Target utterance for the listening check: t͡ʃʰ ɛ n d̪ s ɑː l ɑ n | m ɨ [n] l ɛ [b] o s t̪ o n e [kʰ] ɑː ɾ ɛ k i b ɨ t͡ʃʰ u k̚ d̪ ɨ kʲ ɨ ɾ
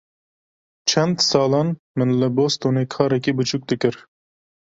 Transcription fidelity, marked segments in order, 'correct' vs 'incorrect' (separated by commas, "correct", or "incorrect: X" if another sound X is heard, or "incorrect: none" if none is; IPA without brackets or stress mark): correct, correct, correct